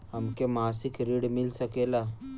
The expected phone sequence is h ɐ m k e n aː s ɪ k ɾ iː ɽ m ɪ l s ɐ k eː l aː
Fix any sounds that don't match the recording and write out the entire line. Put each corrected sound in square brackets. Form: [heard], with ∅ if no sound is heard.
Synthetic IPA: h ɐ m k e [m] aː s ɪ k ɾ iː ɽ m ɪ l s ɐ k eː l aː